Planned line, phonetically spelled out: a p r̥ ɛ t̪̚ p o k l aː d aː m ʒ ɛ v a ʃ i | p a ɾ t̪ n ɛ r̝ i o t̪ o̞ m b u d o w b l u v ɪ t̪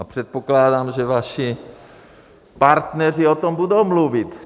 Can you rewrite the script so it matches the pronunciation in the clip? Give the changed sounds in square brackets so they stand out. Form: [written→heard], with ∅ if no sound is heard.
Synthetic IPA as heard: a p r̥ ɛ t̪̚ p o k l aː d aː m ʒ ɛ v a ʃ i | p a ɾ t̪ n ɛ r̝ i o t̪ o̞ m b u d o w [b→m] l u v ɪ t̪